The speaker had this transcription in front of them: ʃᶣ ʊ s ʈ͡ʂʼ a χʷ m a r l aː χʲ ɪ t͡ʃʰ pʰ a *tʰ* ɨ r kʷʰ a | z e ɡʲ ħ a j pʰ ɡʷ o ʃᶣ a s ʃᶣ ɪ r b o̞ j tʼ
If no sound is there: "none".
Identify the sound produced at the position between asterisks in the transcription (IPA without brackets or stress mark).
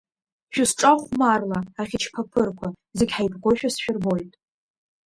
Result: pʰ